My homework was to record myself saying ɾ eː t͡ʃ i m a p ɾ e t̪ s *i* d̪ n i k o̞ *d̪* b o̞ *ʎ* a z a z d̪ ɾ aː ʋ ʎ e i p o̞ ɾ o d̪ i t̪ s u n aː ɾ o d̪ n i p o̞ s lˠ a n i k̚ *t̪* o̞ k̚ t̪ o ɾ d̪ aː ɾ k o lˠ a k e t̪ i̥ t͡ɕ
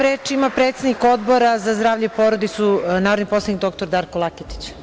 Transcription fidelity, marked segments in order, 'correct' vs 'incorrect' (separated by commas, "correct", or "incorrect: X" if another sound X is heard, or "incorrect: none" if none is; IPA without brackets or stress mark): incorrect: e, correct, incorrect: ɾ, incorrect: d̪